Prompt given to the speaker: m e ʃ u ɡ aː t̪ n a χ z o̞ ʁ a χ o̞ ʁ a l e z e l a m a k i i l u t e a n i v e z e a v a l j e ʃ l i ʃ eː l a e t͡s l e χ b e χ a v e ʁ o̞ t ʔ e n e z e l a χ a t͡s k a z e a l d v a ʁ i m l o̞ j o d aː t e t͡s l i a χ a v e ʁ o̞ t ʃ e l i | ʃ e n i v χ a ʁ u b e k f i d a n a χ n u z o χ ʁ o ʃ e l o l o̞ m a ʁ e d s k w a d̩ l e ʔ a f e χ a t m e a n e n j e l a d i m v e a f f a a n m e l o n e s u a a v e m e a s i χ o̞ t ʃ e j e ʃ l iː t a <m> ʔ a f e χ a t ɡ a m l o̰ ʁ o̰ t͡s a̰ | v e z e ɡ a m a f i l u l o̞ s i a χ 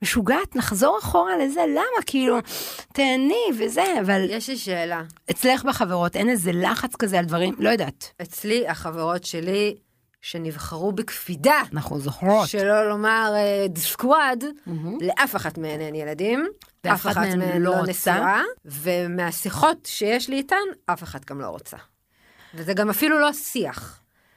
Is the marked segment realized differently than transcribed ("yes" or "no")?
yes